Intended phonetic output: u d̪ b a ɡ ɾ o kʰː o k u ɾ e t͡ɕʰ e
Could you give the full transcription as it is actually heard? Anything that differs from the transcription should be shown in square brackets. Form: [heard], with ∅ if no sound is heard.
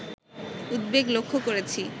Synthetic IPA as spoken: u d̪ b [e] ɡ [l] o kʰː o k [o] ɾ e t͡ɕʰ [i]